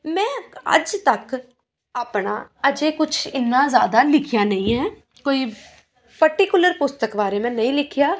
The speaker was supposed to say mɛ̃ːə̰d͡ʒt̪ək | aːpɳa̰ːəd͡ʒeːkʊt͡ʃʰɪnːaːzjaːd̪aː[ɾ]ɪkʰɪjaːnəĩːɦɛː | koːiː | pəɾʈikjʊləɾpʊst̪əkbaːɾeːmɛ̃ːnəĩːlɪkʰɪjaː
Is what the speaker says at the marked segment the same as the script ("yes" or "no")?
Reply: no